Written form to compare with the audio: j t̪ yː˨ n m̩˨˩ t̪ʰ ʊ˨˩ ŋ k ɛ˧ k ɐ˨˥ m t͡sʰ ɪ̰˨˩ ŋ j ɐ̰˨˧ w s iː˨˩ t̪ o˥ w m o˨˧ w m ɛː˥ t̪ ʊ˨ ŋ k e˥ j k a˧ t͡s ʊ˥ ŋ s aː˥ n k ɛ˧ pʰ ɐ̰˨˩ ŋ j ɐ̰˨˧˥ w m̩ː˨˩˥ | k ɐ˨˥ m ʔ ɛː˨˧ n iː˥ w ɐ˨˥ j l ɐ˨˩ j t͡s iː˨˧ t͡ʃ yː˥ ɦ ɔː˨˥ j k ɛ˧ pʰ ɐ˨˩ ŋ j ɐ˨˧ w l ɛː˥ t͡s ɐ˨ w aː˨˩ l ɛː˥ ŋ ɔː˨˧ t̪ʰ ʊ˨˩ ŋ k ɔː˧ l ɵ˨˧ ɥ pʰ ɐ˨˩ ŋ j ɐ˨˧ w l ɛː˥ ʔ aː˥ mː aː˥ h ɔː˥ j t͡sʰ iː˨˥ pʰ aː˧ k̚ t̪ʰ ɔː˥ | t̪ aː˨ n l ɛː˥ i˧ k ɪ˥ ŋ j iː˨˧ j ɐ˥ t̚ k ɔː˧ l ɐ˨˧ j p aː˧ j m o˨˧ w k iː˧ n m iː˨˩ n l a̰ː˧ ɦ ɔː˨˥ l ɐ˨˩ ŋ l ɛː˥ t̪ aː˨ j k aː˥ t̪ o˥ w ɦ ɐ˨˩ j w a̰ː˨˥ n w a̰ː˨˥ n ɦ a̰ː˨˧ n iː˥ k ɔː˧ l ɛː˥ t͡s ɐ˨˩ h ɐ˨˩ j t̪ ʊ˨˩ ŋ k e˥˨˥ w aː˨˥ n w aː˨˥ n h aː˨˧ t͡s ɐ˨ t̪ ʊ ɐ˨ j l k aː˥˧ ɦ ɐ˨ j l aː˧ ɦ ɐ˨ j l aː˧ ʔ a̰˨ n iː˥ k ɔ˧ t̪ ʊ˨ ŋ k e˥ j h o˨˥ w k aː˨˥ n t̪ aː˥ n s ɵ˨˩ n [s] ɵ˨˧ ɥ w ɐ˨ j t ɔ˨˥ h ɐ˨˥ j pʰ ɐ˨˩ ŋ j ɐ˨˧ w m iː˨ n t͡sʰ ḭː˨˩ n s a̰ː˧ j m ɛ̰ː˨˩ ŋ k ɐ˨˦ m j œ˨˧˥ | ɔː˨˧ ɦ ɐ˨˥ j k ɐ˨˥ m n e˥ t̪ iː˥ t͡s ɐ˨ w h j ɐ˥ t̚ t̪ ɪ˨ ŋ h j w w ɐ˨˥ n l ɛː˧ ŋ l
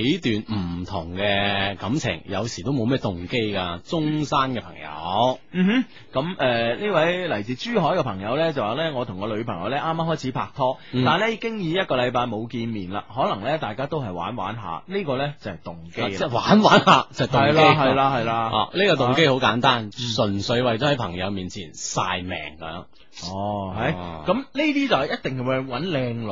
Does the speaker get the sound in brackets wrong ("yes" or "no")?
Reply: no